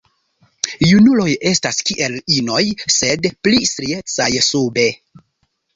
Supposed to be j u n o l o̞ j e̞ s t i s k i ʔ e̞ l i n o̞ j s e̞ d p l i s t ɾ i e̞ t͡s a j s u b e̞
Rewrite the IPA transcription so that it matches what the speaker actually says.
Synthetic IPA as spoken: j u n u l o̞ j e̞ s t a s k i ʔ e̞ l i n o̞ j s e̞ d p l i s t ɾ i e̞ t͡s a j s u b e̞